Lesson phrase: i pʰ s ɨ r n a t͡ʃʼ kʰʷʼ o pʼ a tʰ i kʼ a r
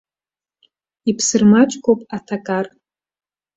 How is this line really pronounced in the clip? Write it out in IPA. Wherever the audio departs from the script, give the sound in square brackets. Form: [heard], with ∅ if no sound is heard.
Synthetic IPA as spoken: i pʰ s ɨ r [m] a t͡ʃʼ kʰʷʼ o pʼ a tʰ [a] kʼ a r